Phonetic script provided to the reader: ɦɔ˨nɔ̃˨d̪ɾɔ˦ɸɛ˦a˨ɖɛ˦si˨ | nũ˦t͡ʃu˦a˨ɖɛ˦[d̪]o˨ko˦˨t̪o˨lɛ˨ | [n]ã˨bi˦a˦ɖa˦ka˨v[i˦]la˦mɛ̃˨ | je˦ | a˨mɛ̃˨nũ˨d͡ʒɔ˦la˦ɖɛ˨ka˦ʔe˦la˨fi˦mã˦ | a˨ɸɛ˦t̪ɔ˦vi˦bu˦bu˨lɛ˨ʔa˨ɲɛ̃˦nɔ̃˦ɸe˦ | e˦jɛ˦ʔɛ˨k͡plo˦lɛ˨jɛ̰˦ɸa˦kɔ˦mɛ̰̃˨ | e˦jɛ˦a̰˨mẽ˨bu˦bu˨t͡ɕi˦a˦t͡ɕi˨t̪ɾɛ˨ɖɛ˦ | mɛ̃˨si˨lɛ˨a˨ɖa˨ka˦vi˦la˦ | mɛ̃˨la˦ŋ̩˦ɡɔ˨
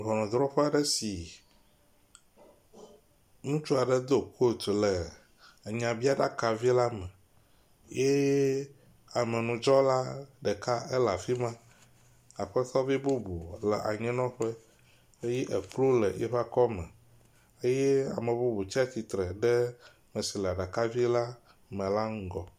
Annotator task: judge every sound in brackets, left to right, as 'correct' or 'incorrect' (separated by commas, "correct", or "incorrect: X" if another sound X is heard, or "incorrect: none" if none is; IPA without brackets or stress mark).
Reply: correct, incorrect: ɲ, correct